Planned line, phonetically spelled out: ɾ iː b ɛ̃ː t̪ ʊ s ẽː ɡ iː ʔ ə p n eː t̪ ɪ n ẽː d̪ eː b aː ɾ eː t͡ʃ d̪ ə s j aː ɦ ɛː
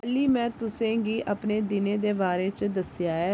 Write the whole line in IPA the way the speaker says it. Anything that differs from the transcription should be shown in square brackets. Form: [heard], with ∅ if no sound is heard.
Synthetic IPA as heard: [l] iː [m] ɛ̃ː t̪ ʊ s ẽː ɡ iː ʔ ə p n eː [d̪] ɪ n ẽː d̪ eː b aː ɾ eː t͡ʃ d̪ ə s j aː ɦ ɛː